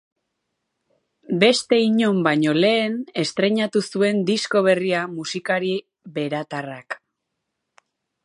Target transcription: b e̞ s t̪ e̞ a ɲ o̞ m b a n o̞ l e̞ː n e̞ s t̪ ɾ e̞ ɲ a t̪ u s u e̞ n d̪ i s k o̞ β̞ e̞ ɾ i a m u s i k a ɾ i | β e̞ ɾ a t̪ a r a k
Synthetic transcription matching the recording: b e̞ s t̪ e̞ i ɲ o̞ m b a ɲ o̞ l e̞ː n e̞ s t̪ ɾ e̞ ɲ a t̪ u s u e̞ n d̪ i s k o̞ β̞ e̞ r i a m u s i k a ɾ i | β e̞ ɾ a t̪ a r a k